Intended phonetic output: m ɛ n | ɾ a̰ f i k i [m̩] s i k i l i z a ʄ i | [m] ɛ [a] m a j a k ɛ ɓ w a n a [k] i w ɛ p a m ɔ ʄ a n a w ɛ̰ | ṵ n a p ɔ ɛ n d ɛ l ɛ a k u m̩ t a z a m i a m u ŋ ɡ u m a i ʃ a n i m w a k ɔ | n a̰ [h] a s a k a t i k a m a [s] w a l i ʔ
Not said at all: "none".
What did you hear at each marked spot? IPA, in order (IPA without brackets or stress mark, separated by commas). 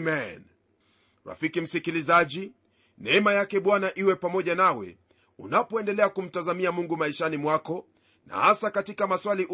m̩, n, ɛ, ʔ, h, s